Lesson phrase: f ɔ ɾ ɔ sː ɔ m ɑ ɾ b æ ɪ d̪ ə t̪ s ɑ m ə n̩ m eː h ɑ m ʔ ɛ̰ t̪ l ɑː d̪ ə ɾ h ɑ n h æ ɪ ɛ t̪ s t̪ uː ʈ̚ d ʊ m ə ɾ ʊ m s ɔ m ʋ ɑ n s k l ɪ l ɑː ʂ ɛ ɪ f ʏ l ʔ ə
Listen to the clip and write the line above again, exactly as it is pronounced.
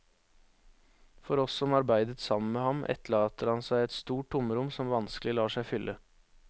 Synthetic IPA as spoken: f ɔ ɾ ɔ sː ɔ m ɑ ɾ b æ ɪ d̪ ə t̪ s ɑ m ə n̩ m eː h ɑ m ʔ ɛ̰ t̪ l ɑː t̪ ə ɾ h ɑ n s æ ɪ ɛ t̪ s t̪ uː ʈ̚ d ʊ m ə ɾ ʊ m s ɔ m ʋ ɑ n s k l ɪ l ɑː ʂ æ ɪ f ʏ l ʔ ə